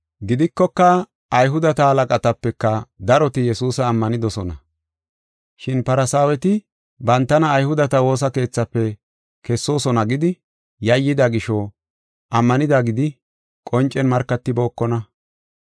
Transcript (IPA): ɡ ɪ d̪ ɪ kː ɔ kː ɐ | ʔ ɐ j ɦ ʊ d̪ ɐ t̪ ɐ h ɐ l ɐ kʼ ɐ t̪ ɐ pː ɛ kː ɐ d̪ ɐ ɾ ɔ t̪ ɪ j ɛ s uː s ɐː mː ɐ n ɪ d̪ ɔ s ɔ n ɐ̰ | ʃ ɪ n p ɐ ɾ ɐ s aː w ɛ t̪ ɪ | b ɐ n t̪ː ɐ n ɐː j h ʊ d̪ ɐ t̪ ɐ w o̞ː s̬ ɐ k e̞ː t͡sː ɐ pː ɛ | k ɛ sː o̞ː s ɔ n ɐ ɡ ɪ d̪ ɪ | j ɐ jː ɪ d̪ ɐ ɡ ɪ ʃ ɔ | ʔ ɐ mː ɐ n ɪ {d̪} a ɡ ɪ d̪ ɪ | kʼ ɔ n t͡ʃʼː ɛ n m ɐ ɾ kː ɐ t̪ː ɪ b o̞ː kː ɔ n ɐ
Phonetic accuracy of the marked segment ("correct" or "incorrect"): correct